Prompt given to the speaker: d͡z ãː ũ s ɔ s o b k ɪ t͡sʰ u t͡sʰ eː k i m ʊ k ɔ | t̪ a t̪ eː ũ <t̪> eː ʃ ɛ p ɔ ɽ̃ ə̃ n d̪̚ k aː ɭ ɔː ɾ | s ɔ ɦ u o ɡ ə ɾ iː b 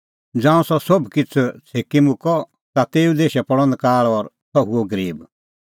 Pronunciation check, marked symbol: incorrect: d̪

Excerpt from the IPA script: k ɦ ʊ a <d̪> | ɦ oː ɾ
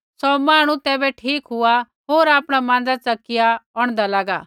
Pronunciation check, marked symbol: incorrect: none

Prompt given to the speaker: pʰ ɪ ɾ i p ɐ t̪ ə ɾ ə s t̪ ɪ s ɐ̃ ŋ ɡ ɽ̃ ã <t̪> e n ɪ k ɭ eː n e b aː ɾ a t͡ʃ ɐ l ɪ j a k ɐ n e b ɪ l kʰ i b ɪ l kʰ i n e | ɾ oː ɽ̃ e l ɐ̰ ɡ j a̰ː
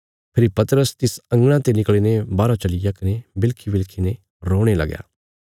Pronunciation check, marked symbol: correct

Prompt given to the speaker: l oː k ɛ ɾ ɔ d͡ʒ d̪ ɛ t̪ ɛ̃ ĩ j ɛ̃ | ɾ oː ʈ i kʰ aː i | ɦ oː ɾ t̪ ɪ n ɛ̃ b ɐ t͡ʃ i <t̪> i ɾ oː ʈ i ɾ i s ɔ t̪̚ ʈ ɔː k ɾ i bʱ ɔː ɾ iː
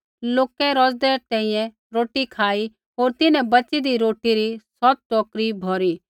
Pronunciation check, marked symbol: incorrect: d̪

